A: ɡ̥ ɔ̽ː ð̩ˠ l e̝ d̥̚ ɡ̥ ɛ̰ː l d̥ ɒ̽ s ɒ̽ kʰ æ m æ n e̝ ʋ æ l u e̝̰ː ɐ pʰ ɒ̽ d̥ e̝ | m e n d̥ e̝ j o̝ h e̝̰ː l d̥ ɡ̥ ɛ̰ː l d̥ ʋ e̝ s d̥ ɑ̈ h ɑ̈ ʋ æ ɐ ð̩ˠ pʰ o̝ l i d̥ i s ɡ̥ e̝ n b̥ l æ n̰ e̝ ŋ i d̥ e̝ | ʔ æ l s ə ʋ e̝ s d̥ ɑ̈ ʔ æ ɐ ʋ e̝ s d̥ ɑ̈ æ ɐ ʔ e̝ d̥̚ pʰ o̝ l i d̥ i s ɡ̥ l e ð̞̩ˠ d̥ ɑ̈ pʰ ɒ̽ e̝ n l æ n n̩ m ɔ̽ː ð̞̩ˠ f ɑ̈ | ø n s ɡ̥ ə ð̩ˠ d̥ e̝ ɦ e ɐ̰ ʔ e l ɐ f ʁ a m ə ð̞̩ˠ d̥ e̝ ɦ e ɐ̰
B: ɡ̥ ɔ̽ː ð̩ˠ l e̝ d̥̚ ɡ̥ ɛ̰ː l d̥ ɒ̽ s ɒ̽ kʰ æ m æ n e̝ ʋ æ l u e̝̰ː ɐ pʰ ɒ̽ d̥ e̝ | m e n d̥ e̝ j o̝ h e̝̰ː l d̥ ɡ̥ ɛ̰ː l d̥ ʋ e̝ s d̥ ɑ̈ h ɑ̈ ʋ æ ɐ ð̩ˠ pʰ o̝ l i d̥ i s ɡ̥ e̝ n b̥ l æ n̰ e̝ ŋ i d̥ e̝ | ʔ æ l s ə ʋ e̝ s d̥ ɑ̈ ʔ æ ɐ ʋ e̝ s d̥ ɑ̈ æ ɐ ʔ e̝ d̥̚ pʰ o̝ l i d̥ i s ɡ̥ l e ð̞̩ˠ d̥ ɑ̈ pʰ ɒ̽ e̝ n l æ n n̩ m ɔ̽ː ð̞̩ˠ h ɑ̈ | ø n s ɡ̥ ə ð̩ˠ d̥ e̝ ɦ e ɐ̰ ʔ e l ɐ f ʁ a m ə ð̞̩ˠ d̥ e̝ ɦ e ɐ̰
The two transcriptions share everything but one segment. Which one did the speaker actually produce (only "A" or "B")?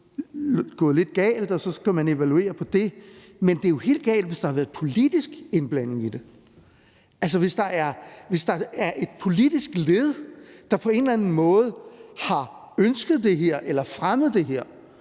B